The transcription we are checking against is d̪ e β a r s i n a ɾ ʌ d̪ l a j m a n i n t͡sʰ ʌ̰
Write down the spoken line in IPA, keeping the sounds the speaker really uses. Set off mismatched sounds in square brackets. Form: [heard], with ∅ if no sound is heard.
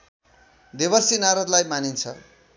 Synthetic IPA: d̪ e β [ʌ] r s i n a ɾ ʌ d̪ l a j m a n i n t͡sʰ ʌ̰

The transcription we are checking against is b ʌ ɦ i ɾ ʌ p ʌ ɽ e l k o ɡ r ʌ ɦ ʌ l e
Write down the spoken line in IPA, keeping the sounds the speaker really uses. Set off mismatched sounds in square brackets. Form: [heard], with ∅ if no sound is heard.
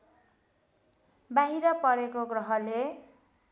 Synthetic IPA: b [a] ɦ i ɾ ʌ p ʌ [ɾ] e [∅] k o ɡ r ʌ ɦ ʌ l e

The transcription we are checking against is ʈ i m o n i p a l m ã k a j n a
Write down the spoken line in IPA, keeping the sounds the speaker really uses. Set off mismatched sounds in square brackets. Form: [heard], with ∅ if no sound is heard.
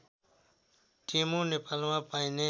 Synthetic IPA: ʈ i m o n [e] p a l m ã [p] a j n [e]

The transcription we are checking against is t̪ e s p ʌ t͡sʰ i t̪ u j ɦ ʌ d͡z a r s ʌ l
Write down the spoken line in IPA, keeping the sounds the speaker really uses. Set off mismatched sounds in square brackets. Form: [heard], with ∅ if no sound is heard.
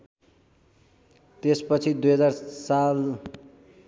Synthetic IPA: t̪ e s p ʌ t͡sʰ i [d̪] u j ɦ ʌ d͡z a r s [a] l

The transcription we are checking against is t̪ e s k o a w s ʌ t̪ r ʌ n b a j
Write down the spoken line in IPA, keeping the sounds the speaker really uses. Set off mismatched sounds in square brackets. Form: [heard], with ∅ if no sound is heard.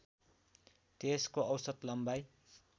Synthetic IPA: t̪ e s k o [ʌ] w s ʌ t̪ [l] ʌ [m] b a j

